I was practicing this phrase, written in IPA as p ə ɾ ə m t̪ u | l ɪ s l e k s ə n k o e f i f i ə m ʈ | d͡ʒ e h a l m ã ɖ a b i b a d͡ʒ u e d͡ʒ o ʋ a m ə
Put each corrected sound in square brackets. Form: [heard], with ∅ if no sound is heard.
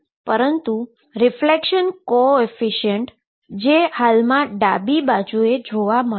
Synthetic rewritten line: p ə ɾ ə [n] t̪ u | [ɾ] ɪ [f] l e k [ʃ] ə n k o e f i [ʃ] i ə [ɳ] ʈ | d͡ʒ e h a l m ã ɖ a b i b a d͡ʒ u e d͡ʒ o ʋ a m ə